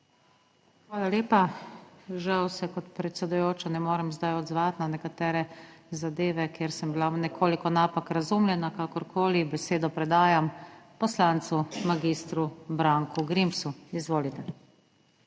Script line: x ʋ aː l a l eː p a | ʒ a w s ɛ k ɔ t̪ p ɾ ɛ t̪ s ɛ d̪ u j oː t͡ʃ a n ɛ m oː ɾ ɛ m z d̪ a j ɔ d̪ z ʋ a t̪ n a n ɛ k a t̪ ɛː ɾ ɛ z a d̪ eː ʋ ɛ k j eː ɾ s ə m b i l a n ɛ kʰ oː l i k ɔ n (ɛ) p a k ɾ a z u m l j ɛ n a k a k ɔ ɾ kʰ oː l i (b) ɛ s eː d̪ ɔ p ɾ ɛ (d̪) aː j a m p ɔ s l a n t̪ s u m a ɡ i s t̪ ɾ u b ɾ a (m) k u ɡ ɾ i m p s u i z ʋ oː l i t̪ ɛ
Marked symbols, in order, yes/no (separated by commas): no, yes, yes, no